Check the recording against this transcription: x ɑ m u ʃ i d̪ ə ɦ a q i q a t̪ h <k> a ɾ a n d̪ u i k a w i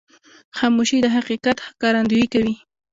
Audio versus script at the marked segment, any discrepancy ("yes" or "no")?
no